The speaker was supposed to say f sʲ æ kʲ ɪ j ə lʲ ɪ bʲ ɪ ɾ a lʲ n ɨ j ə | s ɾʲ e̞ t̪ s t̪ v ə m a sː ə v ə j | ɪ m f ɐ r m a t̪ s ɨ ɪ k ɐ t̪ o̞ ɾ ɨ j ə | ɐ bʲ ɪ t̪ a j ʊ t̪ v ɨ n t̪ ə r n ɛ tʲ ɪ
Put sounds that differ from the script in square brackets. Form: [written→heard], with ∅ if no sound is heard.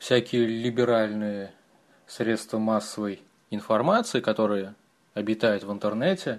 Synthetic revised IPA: f sʲ æ kʲ ɪ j ə lʲ ɪ bʲ ɪ ɾ a lʲ n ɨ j ə | s ɾʲ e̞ t̪ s t̪ v ə m a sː ə v ə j | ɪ [m→n] f ɐ r m a t̪ s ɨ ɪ k ɐ t̪ o̞ ɾ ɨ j ə | ɐ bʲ ɪ t̪ a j ʊ t̪ v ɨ n t̪ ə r n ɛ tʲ ɪ